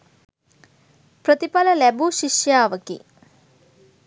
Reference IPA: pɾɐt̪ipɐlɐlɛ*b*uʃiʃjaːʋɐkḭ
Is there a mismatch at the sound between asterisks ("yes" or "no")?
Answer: no